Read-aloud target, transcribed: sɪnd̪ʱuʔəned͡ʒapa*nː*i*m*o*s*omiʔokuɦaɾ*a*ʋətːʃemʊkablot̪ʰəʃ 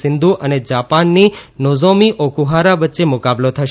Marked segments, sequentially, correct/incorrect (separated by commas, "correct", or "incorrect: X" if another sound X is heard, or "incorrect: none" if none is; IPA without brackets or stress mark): correct, incorrect: n, incorrect: z, correct